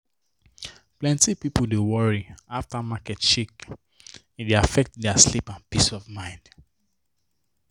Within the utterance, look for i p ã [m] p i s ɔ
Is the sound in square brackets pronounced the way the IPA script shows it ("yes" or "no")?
no